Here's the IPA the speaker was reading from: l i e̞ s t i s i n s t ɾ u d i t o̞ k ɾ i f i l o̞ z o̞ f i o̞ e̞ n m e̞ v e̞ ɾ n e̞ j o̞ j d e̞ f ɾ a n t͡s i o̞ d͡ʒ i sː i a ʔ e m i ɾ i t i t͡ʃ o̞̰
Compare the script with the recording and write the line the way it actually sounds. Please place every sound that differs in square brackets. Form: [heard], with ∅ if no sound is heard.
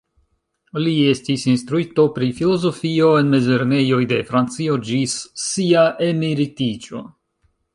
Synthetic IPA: l i e̞ s t i s i n s t ɾ u [∅] i t o̞ [p] ɾ i f i l o̞ z o̞ f i o̞ e̞ n m e̞ [z] e̞ ɾ n e̞ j o̞ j d e̞ f ɾ a n t͡s i o̞ d͡ʒ i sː i a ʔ e m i ɾ i t i t͡ʃ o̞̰